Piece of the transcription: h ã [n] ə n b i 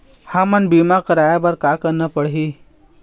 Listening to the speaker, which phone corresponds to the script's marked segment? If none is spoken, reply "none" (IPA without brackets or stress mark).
m